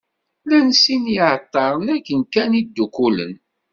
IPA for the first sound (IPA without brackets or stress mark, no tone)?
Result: l